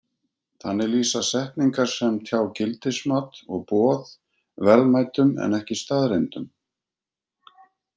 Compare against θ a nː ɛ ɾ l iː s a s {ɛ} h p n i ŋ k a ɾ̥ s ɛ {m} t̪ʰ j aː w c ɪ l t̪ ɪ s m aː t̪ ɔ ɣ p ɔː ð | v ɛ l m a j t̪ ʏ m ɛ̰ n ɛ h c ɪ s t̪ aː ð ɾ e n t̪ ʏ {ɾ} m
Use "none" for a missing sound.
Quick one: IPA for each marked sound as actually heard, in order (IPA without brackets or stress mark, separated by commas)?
ɛ, m, none